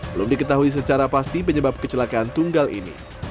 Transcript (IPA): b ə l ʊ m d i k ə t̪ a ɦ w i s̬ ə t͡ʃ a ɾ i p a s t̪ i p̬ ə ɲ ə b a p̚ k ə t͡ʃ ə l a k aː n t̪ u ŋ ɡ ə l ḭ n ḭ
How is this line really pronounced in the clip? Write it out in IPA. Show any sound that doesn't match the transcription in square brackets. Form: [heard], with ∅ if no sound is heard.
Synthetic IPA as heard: b ə l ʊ m d i k ə t̪ a ɦ [u] i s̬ ə t͡ʃ a ɾ [a] p a s t̪ i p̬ ə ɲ ə b a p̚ k ə t͡ʃ ə l a k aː n t̪ u ŋ ɡ [a] l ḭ n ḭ